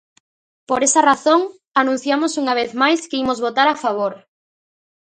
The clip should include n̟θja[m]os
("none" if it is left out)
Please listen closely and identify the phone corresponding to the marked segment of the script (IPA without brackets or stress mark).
m